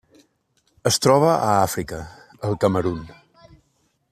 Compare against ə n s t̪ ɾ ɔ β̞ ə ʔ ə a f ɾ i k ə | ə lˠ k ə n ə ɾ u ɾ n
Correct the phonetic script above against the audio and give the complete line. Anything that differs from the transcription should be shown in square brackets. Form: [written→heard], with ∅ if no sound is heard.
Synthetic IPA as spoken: ə [n→∅] s t̪ ɾ ɔ β̞ ə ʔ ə a f ɾ i k ə | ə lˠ k ə [n→m] ə ɾ u [ɾ→∅] n